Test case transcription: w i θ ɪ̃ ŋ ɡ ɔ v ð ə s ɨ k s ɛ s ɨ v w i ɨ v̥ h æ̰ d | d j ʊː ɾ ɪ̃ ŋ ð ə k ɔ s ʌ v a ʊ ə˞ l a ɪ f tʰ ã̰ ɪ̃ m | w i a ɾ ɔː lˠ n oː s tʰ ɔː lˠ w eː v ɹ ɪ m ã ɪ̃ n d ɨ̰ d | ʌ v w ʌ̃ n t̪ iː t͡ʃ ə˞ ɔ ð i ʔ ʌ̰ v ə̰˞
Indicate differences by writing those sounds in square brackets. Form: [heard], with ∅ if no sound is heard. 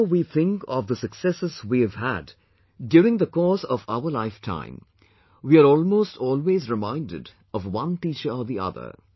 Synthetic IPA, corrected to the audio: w i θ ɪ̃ ŋ [k] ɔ v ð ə s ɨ k s ɛ s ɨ [z] w i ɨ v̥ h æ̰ d | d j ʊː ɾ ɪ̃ ŋ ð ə k ɔ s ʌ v a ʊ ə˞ l a ɪ f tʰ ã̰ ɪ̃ m | w i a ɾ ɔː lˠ [m] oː s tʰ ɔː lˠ w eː [z] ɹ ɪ m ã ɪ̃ n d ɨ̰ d | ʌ v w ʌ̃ n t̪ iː t͡ʃ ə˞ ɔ ð i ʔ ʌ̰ [ð] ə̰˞

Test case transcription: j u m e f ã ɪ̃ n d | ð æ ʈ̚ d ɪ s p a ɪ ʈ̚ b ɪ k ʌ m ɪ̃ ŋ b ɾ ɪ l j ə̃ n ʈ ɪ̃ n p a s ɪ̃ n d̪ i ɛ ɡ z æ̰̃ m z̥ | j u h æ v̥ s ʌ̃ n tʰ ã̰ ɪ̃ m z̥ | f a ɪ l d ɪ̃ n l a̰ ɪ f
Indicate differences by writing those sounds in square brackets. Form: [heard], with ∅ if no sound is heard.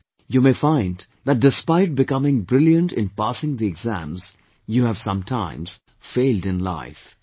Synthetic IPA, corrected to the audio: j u m e f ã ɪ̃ n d | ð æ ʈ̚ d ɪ s p a ɪ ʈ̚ b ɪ k ʌ m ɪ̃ ŋ b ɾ ɪ l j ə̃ n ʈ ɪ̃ n p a s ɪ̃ [ŋ] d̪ i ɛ ɡ z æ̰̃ m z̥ | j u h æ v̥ s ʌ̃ [m] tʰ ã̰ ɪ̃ m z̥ | f [e] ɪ l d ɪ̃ n l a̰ ɪ f

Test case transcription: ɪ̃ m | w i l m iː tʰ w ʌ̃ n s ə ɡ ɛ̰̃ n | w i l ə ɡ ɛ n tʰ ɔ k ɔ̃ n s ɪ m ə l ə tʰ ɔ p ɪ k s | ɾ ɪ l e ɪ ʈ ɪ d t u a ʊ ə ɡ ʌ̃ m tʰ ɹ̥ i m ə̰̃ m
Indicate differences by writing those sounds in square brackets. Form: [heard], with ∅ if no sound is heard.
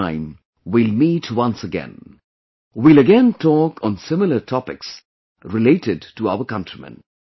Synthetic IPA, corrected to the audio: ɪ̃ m | w i l m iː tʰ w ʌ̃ n s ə ɡ ɛ̰̃ n | w i l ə ɡ [ɛ̃] n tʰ ɔ k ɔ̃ n s ɪ m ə l ə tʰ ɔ p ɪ k s | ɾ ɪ l e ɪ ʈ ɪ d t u a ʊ ə [k] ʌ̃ [n] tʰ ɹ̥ i m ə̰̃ [n]

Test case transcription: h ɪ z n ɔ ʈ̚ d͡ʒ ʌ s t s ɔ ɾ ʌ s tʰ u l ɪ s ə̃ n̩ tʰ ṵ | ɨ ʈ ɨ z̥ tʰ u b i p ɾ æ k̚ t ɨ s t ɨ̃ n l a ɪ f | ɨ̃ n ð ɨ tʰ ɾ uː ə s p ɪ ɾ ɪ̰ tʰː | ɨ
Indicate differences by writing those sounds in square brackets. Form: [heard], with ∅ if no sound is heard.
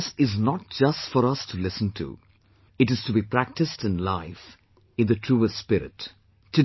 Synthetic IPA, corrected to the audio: [s] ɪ z n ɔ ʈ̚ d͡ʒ ʌ s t [f] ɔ ɾ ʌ s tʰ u l ɪ s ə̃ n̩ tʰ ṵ | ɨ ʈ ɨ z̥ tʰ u b i p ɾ æ k̚ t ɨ s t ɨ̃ n l a ɪ f | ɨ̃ n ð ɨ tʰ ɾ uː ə s p ɪ ɾ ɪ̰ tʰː | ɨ

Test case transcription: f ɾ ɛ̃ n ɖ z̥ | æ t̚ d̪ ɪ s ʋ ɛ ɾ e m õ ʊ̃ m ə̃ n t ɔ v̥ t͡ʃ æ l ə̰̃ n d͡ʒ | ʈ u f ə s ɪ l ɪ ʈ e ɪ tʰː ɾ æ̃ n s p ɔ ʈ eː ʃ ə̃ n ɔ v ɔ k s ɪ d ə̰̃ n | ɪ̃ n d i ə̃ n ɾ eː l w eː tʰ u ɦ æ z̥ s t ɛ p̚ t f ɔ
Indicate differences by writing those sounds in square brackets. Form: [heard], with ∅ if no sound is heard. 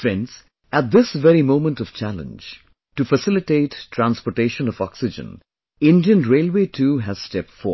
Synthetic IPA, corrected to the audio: f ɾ ɛ̃ n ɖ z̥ | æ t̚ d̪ ɪ s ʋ ɛ ɾ [i] m õ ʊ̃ m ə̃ n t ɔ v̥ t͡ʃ æ l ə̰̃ n d͡ʒ | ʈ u f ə s ɪ l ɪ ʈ e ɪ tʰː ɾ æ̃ n s p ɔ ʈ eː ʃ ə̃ n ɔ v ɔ k s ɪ [d͡ʒ] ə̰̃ n | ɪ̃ n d i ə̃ n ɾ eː l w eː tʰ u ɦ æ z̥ s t ɛ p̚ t f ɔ

